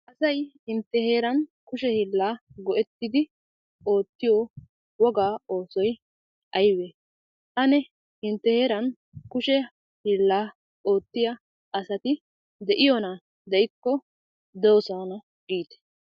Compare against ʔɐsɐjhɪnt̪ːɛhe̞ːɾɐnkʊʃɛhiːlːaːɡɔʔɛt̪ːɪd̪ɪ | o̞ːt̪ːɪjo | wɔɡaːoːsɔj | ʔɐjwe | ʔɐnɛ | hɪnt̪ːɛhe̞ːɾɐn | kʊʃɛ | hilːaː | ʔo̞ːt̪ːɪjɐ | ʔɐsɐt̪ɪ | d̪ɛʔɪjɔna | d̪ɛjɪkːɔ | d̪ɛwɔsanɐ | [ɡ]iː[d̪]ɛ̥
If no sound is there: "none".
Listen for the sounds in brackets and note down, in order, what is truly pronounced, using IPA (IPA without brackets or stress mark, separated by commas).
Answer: ɡ, t̪